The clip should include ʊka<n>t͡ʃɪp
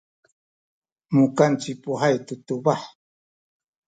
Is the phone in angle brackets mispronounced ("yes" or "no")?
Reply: no